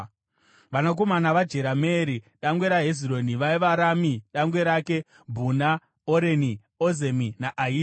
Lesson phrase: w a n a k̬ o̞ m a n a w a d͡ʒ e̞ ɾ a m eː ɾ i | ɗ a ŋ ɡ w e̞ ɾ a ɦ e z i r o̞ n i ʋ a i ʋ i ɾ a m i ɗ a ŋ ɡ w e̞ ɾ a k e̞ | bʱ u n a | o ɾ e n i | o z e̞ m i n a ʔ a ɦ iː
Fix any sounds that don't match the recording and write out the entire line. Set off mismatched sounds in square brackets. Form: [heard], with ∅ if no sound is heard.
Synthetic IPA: [ʋ] a n a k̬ o̞ m a n a [ʋ] a d͡ʒ e̞ ɾ a m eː ɾ i | ɗ a ŋ ɡ w e̞ ɾ a ɦ e z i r o̞ n i ʋ a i ʋ [a] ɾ a m i ɗ a ŋ ɡ w e̞ ɾ a k e̞ | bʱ u n a | o ɾ e n i | o z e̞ m i n a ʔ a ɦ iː